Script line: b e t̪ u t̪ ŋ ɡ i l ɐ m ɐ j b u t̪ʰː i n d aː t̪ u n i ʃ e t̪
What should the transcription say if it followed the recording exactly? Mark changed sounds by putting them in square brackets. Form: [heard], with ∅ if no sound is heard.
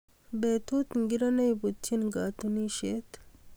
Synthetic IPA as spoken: b e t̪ u t̪ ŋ ɡ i [ɾ] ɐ [n] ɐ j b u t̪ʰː i n [ɡ] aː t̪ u n i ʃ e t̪